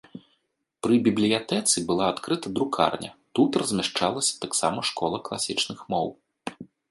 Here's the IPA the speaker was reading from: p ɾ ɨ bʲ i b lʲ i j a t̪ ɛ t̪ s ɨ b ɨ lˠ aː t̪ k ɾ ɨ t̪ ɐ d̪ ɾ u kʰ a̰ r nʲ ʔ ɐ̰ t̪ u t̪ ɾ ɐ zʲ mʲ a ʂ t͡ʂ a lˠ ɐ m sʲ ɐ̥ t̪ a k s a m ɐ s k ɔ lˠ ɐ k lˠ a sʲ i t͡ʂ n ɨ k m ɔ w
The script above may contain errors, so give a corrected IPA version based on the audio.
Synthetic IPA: p ɾ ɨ bʲ i b lʲ i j a t̪ ɛ t̪ s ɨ b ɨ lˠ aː t̪ k ɾ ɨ t̪ ɐ d̪ ɾ u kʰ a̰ r nʲ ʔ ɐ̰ t̪ u t̪ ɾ ɐ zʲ mʲ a ʂ t͡ʂ a lˠ ɐ sʲ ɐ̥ t̪ a k s a m ɐ ʂ k ɔ lˠ ɐ k lˠ a sʲ i t͡ʂ n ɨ x m ɔ w